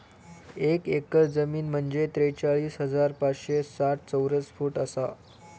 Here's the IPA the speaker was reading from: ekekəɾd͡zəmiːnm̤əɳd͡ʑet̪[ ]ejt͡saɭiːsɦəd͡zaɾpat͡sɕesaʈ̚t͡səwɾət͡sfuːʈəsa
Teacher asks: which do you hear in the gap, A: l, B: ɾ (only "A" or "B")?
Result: B